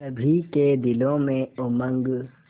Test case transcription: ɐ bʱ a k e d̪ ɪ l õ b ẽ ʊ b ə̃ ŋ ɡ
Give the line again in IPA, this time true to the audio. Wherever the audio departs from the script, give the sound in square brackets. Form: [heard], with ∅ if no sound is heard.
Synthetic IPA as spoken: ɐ bʱ [i] k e d̪ ɪ l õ [m] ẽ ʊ [m] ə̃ ŋ ɡ